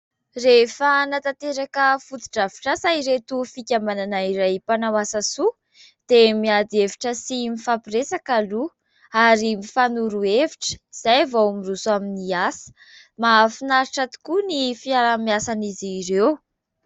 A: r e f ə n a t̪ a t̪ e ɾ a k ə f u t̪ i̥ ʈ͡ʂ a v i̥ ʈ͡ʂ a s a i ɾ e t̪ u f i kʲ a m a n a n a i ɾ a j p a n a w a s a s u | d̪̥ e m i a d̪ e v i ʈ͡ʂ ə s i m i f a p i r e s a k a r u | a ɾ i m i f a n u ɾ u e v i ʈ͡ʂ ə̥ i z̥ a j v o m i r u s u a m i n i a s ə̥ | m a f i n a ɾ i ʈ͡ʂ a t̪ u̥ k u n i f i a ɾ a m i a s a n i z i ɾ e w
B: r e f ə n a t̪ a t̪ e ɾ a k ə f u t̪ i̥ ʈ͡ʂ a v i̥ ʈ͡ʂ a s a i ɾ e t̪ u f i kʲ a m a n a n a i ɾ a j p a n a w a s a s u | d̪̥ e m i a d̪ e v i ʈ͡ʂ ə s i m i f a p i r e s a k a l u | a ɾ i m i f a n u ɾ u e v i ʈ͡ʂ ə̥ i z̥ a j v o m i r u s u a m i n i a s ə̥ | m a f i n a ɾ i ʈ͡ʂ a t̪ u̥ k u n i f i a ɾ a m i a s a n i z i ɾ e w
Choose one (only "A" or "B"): B